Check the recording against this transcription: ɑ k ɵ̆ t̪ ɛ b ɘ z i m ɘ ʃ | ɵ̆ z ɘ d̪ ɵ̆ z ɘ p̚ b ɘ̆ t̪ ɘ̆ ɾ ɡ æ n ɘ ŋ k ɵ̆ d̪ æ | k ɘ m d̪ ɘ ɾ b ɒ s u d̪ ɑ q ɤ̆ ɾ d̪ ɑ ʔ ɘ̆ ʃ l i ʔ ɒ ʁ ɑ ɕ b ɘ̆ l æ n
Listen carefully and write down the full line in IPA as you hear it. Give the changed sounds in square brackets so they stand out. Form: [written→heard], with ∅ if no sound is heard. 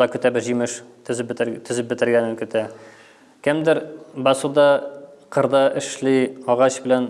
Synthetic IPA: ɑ k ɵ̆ t̪ [ɛ→æ] b ɘ [z→ʑ] i m ɘ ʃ | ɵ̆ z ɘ [d̪→t̪] ɵ̆ z ɘ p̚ b ɘ̆ t̪ ɘ̆ ɾ ɡ æ n ɘ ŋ k ɵ̆ [d̪→t̪] æ | k ɘ m d̪ ɘ ɾ b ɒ s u d̪ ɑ q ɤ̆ ɾ d̪ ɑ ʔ ɘ̆ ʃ l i [ʔ→∅] ɒ ʁ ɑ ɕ b ɘ̆ l æ n

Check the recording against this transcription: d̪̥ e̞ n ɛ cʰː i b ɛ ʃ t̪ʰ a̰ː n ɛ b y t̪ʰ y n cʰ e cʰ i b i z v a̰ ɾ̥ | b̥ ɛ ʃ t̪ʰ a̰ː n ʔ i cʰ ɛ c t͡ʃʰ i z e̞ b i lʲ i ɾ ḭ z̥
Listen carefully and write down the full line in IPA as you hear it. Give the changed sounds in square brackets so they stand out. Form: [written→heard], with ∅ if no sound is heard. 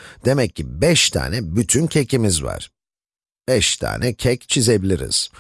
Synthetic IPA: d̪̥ e̞ [n→m] ɛ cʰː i b ɛ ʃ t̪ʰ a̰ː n ɛ b y t̪ʰ y n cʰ e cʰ i [b→m] i z v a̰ ɾ̥ | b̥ ɛ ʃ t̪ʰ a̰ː n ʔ [i→ɛ] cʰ ɛ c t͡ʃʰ i z e̞ b i lʲ i ɾ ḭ z̥

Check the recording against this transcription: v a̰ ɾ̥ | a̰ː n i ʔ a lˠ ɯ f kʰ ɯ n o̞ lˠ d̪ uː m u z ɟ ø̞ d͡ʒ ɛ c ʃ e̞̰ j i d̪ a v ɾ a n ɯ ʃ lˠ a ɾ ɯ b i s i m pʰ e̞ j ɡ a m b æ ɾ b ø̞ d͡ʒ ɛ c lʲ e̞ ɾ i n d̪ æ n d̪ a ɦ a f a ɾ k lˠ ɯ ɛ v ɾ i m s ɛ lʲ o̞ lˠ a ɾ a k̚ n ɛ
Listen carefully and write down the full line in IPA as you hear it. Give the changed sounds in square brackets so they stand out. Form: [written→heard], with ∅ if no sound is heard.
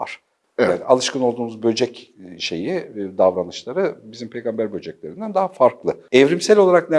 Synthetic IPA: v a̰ ɾ̥ | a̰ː n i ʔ a lˠ ɯ [f→ʃ] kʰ ɯ n o̞ lˠ d̪ uː m u z [ɟ→b] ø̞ d͡ʒ ɛ c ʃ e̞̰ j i d̪ a v ɾ a n ɯ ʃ lˠ a ɾ ɯ b i [s→z] i m pʰ e̞ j ɡ a m b æ ɾ b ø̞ d͡ʒ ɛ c lʲ e̞ ɾ i n d̪ æ n d̪ a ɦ a f a ɾ k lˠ ɯ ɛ v ɾ i m s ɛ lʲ o̞ lˠ a ɾ a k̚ n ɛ

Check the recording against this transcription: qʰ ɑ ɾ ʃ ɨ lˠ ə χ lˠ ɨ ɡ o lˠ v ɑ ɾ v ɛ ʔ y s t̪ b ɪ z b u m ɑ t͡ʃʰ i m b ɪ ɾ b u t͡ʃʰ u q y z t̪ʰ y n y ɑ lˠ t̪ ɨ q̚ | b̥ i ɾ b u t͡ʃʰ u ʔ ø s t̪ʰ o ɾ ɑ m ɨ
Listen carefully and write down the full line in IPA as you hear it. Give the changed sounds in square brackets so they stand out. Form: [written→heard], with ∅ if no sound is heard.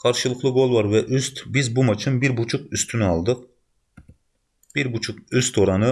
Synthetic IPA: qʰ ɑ ɾ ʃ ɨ lˠ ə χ lˠ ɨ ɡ o lˠ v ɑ ɾ v ɛ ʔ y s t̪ b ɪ z b u m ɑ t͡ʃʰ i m b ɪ ɾ b u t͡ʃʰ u q y [z→s] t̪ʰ y n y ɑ lˠ [t̪→d̪] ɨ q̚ | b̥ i ɾ b u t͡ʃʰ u [ʔ→q] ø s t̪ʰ o ɾ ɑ [m→n] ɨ

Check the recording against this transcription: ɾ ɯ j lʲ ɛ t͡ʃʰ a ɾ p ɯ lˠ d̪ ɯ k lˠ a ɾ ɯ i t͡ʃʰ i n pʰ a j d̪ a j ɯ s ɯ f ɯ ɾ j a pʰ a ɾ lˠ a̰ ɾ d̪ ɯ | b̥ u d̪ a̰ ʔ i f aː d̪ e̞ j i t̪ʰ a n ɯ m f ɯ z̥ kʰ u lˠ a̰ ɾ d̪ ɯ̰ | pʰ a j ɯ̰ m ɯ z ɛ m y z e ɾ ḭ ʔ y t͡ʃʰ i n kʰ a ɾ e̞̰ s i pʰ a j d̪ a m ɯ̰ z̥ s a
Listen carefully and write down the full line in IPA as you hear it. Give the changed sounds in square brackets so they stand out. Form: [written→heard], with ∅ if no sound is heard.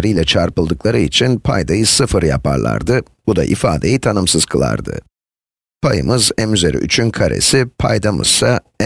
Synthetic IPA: ɾ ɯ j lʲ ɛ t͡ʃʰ a ɾ p ɯ lˠ d̪ ɯ k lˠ a ɾ ɯ i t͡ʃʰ i n pʰ a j d̪ a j ɯ s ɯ f ɯ ɾ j a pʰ a ɾ lˠ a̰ ɾ d̪ ɯ | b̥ u d̪ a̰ ʔ i f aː d̪ e̞ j i t̪ʰ a n ɯ m [f→s] ɯ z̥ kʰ [u→ɯ] lˠ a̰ ɾ d̪ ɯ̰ | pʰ a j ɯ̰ m ɯ z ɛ m y z e ɾ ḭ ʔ y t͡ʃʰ [i→y] n kʰ a ɾ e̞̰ s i pʰ a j d̪ a m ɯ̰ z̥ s a

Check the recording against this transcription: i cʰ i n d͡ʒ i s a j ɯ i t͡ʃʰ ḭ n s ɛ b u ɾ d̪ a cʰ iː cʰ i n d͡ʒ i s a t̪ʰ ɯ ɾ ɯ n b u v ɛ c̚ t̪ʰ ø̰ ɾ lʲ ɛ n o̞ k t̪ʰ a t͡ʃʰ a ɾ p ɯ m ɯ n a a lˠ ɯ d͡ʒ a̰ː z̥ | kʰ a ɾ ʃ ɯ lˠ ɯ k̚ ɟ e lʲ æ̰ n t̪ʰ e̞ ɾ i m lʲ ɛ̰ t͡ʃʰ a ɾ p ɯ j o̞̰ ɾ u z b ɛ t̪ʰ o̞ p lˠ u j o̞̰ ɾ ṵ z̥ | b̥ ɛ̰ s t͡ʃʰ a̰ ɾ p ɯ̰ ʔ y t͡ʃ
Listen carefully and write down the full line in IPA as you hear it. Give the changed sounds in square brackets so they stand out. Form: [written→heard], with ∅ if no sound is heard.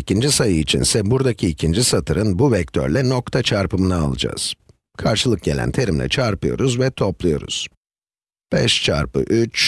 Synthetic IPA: i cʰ i n d͡ʒ i s a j ɯ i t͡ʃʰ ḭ n s ɛ b u ɾ d̪ a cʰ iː cʰ i n d͡ʒ i s a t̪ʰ ɯ ɾ ɯ n b u v ɛ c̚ t̪ʰ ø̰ ɾ lʲ ɛ n o̞ k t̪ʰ a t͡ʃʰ a ɾ p ɯ m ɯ n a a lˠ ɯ d͡ʒ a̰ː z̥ | kʰ a ɾ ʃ ɯ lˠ ɯ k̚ ɟ e lʲ æ̰ n t̪ʰ e̞ ɾ i m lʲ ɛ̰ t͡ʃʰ a ɾ p ɯ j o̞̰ ɾ u z [b→v] ɛ t̪ʰ o̞ p lˠ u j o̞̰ ɾ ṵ z̥ | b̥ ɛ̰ [s→ʃ] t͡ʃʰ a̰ ɾ p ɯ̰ ʔ y t͡ʃ

